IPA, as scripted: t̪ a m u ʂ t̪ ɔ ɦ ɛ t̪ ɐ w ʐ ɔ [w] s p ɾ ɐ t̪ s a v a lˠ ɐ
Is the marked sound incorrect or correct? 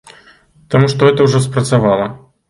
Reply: incorrect